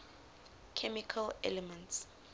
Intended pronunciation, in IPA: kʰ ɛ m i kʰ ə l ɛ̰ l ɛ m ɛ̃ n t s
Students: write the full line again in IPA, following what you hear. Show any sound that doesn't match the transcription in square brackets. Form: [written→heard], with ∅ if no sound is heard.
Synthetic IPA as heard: kʰ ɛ m i kʰ [ə→a] l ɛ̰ l ɛ m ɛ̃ n t s

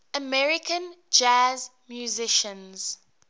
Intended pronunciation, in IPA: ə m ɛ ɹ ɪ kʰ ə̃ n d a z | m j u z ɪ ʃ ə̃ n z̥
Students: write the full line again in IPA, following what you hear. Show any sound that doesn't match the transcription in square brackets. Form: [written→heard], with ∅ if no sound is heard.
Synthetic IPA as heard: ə m ɛ ɹ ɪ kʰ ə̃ n [d→d͡ʒ] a z | m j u z ɪ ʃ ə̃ n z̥

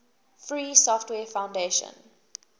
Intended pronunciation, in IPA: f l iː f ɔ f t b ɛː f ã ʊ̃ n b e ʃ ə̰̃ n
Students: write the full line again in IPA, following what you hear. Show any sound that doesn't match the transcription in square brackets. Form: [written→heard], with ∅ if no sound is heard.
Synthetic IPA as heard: f [l→ɹ] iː [f→s] ɔ f t [b→w] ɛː f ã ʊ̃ n [b→d] e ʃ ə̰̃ n

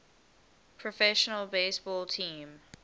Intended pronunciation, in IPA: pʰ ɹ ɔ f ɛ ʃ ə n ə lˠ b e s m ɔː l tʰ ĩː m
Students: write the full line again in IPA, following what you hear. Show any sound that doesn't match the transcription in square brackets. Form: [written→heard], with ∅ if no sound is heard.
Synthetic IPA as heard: pʰ ɹ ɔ f ɛ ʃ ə n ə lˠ b e s [m→b] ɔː l tʰ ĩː m

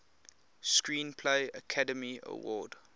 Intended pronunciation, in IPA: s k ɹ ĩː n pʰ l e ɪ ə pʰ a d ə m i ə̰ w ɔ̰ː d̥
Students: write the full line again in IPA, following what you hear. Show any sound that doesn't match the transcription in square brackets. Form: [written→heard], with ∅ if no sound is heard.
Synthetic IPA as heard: s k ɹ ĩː n pʰ l e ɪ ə [pʰ→kʰ] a d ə m i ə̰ w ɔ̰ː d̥

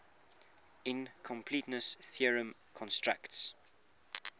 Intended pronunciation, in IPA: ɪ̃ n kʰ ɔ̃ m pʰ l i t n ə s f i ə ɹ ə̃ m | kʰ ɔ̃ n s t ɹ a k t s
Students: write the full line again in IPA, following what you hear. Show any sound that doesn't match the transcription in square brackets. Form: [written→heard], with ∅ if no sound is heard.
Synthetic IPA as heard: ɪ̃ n kʰ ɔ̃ m pʰ l i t n ə s [f→θ] i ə ɹ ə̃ m | kʰ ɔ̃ n s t ɹ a k t s

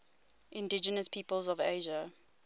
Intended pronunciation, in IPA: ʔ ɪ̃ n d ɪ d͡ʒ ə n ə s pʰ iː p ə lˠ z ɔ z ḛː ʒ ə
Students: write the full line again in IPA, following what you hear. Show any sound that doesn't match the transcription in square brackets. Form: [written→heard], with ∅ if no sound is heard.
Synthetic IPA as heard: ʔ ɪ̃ n d ɪ d͡ʒ ə n ə s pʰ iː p ə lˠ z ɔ [z→v] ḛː ʒ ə

